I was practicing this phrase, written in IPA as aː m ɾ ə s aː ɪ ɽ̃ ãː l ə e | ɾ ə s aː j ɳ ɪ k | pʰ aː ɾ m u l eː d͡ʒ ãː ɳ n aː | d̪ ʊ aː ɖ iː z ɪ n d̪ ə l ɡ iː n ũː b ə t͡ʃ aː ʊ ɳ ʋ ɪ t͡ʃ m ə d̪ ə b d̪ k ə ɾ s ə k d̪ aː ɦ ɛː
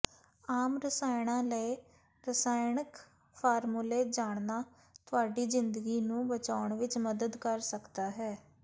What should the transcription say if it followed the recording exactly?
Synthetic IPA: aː m ɾ ə s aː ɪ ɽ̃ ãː l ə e | ɾ ə s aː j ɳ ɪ k | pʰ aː ɾ m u l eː d͡ʒ aː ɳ n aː | t̪ ʊ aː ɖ iː z ɪ n d̪ ə ɡ iː n ũː b ə t͡ʃ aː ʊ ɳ ʋ ɪ t͡ʃ m ə d̪ ə d̪ k ə ɾ s ə k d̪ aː ɦ ɛː

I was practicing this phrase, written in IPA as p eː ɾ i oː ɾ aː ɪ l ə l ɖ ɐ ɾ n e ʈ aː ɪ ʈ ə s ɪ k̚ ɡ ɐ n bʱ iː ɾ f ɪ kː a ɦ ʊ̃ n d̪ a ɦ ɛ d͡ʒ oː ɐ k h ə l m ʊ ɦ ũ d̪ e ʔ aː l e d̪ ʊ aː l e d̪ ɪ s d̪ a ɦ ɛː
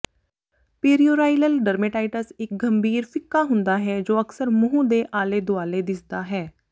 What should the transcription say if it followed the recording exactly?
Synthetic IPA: p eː ɾ i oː ɾ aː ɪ l ə l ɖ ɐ ɾ m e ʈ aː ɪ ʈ ə s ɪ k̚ ɡ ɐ m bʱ iː ɾ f ɪ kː a ɦ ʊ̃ n d̪ a ɦ ɛ d͡ʒ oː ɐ k s ə ɾ m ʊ ɦ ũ d̪ e ʔ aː l e d̪ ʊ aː l e d̪ ɪ s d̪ a ɦ ɛː

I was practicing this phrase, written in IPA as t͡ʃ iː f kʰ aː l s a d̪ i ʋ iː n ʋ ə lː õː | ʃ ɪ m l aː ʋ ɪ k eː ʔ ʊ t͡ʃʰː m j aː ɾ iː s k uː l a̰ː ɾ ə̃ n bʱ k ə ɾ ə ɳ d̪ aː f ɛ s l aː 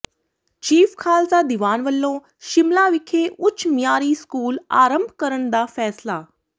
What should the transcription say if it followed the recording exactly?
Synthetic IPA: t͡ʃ iː f kʰ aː l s a d̪ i ʋ aː n ʋ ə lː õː | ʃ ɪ m l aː ʋ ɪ kʰ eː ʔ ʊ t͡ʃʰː m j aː ɾ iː s k uː l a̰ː ɾ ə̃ m bʱ k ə ɾ ə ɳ d̪ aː f ɛː s l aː

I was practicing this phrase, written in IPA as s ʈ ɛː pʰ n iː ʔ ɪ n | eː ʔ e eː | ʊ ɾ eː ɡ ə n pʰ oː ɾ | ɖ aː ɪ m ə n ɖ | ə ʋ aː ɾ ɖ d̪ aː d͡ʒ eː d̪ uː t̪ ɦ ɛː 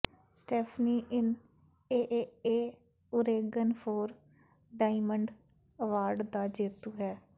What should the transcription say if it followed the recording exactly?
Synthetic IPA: s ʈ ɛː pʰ n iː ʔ ɪ n | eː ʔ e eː | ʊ ɾ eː ɡ ə n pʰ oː ɾ | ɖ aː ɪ m ə ɳ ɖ | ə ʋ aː ɾ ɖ d̪ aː d͡ʒ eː t̪ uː ɦ ɛː

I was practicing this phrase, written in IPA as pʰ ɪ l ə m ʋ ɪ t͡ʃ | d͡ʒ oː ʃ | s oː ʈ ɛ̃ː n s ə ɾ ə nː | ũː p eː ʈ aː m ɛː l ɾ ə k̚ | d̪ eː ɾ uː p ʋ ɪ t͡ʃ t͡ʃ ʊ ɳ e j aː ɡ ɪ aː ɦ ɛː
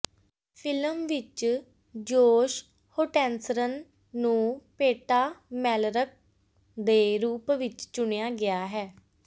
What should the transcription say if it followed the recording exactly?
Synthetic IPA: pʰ ɪ l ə m ʋ ɪ t͡ʃ | d͡ʒ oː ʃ | h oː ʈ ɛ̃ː n s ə ɾ ə nː | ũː p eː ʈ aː m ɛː l ɾ ə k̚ | d̪ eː ɾ uː p ʋ ɪ t͡ʃ t͡ʃ ʊ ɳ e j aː ɡ ɪ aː ɦ ɛː

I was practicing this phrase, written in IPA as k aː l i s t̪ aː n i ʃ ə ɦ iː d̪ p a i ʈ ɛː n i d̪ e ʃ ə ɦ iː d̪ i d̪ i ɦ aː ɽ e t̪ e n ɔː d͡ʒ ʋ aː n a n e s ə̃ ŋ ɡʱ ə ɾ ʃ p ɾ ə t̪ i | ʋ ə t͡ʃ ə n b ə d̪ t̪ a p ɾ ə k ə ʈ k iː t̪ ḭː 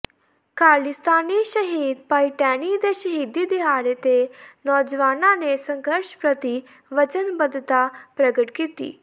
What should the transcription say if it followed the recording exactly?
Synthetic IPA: k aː l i s t̪ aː n i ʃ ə ɦ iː d̪ p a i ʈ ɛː n i d̪ e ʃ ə ɦ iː d̪ i d̪ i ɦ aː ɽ e t̪ e n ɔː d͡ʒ ʋ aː n a n e s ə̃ ŋ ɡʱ ə ɾ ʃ p ɾ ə t̪ i | ʋ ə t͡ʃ ə n b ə d̪ t̪ a p ɾ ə ɡ ə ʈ k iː t̪ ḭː

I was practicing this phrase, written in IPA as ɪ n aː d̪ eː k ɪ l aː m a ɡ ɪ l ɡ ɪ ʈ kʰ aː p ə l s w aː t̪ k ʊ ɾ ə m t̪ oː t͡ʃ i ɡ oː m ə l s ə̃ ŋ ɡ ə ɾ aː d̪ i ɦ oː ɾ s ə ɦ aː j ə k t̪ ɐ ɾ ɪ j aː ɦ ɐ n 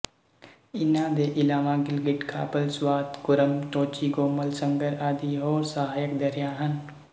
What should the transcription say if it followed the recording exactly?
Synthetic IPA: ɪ n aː d̪ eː ʔ ɪ l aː m a ɡ ɪ l ɡ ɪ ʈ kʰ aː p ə l s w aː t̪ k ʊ ɾ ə m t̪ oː t͡ʃ i ɡ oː m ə l s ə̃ ŋ ɡ ə ɾ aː d̪ i ɦ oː ɾ s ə ɦ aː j ə k d̪ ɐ ɾ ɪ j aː ɦ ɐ n

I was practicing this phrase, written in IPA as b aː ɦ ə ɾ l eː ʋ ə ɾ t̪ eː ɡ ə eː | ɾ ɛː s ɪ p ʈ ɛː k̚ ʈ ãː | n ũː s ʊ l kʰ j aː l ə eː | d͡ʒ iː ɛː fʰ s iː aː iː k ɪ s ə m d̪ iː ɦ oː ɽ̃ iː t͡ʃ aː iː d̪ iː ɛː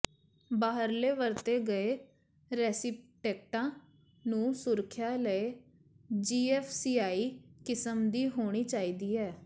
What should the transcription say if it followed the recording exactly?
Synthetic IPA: b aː ɦ ə ɾ l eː ʋ ə ɾ t̪ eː ɡ ə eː | ɾ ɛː s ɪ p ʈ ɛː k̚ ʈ ãː | n ũː s ʊ ɾ kʰ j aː l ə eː | d͡ʒ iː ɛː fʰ s iː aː iː k ɪ s ə m d̪ iː ɦ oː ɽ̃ iː t͡ʃ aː iː d̪ iː ɛː

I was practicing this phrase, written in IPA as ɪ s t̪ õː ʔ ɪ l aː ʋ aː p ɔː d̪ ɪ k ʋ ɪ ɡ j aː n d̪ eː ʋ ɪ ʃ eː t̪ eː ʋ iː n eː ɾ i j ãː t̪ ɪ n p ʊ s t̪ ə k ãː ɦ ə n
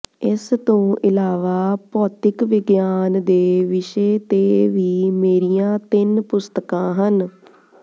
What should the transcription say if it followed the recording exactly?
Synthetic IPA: ɪ s t̪ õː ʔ ɪ l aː ʋ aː p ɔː t̪ ɪ k ʋ ɪ ɡ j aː n d̪ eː ʋ ɪ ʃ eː t̪ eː ʋ iː m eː ɾ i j ãː t̪ ɪ n p ʊ s t̪ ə k ãː ɦ ə n

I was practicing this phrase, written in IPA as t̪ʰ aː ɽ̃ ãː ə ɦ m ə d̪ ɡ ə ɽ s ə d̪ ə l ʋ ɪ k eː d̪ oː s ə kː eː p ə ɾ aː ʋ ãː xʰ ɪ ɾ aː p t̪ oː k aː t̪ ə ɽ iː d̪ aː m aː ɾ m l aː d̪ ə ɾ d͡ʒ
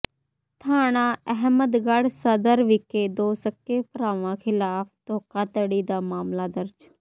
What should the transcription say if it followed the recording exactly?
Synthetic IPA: t̪ʰ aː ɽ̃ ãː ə ɦ m ə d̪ ɡ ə ɽ s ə d̪ ə ɾ ʋ ɪ k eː d̪ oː s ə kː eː p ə ɾ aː ʋ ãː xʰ ɪ l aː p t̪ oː k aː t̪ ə ɽ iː d̪ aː m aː m l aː d̪ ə ɾ d͡ʒ

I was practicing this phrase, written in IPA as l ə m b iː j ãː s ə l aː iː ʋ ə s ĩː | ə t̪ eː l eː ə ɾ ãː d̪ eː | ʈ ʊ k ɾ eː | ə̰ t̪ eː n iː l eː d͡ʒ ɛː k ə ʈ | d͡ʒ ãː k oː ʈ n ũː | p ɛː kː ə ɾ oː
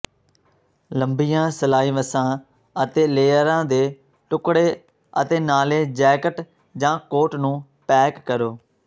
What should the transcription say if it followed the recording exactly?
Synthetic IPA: l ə m b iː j ãː s ə l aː iː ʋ ə s ãː | ə t̪ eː l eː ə ɾ ãː d̪ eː | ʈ ʊ k ɽ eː | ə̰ t̪ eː n aː l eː d͡ʒ ɛː k ə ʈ | d͡ʒ ãː k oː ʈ n ũː | p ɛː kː ə ɾ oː

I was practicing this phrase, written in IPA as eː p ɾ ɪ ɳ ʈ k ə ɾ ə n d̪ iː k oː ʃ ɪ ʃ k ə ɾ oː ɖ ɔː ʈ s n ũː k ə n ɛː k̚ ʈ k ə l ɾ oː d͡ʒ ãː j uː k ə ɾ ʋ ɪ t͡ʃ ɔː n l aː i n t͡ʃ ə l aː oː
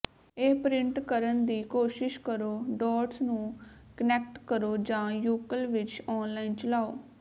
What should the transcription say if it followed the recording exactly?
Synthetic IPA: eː p ɾ ɪ ɳ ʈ k ə ɾ ə n d̪ iː k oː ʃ ɪ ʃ k ə ɾ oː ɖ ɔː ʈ s n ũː k ə n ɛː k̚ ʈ k ə ɾ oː d͡ʒ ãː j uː k ə l ʋ ɪ t͡ʃ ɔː n l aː i n t͡ʃ ə l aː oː

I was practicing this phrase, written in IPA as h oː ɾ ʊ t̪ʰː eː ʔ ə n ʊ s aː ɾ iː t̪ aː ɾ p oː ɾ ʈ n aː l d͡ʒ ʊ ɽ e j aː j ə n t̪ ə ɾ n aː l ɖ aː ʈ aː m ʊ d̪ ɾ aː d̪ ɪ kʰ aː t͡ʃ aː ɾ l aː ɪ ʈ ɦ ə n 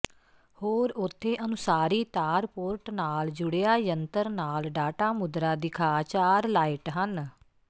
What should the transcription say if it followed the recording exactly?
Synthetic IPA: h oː ɾ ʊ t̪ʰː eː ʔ ə n ʊ s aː ɾ iː t̪ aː ɾ p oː ɾ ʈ n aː l d͡ʒ ʊ ɽ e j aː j ə n t̪ ə ɾ n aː l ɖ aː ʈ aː m ʊ d̪ ɾ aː d̪ ɪ kʰ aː t͡ʃ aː ɾ l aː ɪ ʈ ɦ ə n

